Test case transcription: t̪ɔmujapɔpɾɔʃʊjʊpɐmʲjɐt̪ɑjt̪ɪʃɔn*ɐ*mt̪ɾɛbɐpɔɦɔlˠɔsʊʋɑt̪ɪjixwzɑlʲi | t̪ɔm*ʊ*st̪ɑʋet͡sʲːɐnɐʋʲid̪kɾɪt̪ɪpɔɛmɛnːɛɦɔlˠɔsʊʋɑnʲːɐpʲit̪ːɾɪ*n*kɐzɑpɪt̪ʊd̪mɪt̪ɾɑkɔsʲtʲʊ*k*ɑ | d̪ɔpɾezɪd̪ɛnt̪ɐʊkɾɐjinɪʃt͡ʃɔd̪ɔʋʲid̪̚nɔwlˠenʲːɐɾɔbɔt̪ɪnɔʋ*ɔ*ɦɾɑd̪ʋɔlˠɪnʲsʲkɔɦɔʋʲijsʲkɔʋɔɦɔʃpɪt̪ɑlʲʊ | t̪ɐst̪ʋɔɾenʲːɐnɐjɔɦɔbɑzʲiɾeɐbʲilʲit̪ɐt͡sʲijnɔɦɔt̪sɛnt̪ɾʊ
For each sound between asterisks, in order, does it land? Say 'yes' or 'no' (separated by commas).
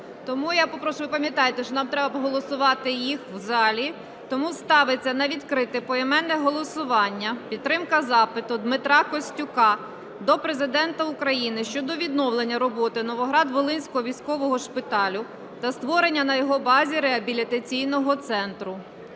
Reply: no, no, no, yes, yes